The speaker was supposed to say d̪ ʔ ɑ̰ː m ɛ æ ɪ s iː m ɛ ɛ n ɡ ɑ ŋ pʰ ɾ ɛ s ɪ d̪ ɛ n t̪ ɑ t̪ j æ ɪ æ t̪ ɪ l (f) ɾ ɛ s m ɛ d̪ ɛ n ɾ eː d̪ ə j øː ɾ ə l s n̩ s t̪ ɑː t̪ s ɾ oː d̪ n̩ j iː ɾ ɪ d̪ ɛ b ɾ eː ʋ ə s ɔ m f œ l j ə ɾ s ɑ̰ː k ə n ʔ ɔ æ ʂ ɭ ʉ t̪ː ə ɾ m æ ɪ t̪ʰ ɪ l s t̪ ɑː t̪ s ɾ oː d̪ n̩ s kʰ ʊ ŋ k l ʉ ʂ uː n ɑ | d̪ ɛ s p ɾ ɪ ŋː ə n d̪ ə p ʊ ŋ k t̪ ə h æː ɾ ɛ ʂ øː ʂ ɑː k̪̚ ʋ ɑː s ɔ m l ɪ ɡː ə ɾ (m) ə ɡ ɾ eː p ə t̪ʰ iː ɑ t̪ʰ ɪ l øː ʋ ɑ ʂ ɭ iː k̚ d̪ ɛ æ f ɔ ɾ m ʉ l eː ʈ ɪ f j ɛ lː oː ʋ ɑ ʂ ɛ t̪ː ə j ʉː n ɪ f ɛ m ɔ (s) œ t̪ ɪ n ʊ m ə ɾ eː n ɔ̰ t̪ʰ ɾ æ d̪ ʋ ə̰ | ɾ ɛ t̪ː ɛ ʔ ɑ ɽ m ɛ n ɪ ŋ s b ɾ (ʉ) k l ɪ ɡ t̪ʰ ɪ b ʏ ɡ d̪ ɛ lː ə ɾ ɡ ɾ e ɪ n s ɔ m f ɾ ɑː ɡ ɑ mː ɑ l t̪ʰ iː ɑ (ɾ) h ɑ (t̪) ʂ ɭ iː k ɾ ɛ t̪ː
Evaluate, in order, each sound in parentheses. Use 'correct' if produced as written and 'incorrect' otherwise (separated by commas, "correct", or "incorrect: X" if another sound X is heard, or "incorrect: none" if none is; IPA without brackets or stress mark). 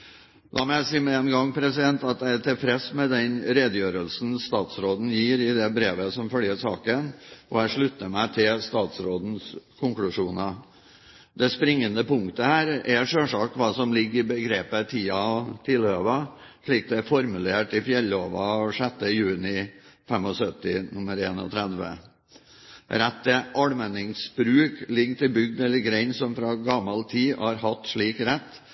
correct, incorrect: b, correct, incorrect: ʉː, correct, correct